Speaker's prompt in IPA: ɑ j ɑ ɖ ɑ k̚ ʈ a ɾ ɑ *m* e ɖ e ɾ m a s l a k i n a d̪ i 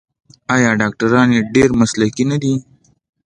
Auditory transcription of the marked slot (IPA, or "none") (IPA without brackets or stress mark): n